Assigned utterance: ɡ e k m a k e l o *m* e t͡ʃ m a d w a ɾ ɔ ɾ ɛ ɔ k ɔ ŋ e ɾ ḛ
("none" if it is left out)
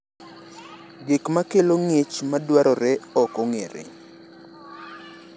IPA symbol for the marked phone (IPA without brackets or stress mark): ŋ